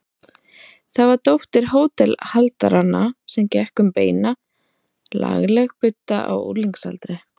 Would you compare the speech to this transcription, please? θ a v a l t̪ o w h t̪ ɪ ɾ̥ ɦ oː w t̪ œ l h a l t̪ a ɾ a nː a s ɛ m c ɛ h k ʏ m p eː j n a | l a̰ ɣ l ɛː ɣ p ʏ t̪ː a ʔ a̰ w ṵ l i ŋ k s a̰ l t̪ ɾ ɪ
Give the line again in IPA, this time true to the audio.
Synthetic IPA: θ a v a ɾ t̪ o w h t̪ ɪ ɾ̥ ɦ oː w t̪ ɛ l h a l t̪ a ɾ a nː a s ɛ m c ɛ h k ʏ m p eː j n a | l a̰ ɣ l ɛ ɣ p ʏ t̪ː a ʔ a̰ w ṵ l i ŋ k s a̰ l t̪ ɾ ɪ